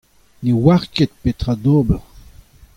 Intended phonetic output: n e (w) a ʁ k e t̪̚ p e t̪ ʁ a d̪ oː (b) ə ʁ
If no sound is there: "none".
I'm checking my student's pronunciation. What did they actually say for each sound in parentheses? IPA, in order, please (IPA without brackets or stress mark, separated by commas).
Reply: w, b